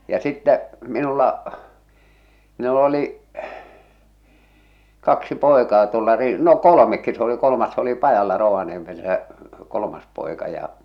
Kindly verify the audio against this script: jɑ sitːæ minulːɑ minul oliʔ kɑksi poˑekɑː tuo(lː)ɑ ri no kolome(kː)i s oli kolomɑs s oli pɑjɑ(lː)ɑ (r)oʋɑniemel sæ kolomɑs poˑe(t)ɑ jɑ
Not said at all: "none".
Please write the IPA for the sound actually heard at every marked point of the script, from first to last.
lː, kː, lː, r, k

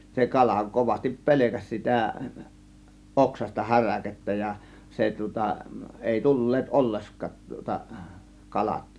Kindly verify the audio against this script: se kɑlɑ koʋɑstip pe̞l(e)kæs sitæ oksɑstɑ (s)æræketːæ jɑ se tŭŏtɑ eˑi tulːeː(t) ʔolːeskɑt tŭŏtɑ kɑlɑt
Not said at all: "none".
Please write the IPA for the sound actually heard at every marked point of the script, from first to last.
e, h, t

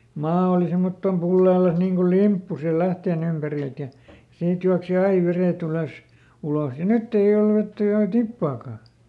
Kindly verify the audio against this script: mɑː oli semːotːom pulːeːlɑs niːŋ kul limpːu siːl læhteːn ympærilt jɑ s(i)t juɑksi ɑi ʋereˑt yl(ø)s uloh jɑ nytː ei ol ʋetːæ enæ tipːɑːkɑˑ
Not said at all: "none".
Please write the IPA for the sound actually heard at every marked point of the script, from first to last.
iː, ø

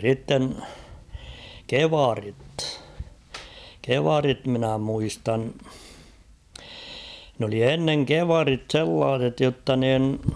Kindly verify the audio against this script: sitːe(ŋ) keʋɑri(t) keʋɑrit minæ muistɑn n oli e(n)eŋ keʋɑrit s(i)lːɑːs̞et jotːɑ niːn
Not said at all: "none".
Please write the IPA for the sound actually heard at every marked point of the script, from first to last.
n, t, nː, e

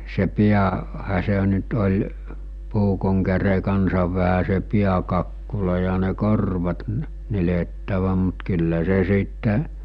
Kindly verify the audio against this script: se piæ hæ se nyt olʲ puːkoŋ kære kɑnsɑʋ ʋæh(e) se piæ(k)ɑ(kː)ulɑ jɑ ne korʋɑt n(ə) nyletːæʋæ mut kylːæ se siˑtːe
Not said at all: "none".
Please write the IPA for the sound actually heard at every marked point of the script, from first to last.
æ, k, kː, ə

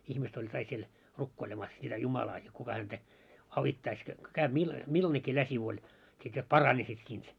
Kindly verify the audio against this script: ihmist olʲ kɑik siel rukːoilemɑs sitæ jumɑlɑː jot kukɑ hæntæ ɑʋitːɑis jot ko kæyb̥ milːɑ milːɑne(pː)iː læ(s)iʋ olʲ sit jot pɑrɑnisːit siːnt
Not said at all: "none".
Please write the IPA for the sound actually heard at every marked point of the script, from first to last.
kː, s

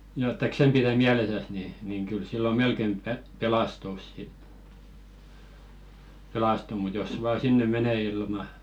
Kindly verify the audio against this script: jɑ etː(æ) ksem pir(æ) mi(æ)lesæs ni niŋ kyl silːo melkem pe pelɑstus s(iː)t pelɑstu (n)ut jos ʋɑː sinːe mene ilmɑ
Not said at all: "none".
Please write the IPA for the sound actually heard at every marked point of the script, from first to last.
æ, æ, æ, i, m

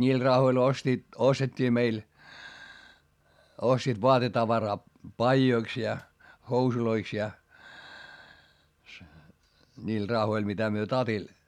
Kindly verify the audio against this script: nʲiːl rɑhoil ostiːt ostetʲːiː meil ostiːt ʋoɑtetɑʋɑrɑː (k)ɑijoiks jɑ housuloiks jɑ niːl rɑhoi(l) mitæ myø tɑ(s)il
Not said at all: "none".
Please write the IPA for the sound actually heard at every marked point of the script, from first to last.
p, l, t

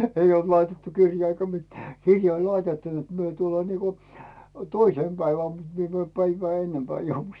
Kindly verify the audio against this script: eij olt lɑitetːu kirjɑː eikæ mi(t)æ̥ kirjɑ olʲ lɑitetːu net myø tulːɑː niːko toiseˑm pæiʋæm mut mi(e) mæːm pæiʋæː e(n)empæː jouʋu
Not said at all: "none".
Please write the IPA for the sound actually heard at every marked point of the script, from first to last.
t, e, nː

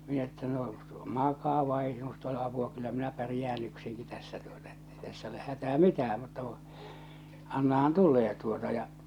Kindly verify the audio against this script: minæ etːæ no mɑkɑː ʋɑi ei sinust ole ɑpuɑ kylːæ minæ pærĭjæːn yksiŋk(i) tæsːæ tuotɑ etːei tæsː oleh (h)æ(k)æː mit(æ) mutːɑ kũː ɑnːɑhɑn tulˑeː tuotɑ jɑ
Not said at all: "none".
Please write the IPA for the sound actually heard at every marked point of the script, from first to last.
i, h, t, æː

